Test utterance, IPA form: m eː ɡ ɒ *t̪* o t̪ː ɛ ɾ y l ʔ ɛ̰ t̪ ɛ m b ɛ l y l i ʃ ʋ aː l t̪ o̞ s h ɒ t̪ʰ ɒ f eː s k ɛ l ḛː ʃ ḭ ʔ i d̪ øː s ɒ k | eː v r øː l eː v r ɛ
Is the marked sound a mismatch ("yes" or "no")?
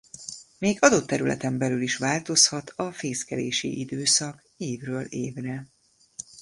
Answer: yes